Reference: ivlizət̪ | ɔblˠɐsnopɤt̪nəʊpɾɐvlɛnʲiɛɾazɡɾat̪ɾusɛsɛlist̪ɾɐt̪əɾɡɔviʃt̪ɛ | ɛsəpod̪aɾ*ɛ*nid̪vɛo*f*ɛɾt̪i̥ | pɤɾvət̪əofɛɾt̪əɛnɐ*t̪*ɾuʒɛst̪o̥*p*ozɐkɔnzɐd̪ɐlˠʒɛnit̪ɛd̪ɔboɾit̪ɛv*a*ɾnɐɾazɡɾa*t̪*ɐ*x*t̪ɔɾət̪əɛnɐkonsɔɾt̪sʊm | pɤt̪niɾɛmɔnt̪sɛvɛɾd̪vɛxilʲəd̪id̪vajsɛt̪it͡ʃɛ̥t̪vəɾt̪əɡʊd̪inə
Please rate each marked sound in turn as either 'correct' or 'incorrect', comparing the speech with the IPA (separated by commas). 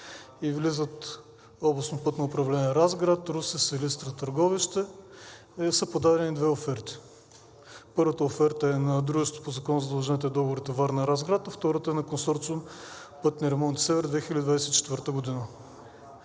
correct, correct, incorrect, correct, correct, correct, incorrect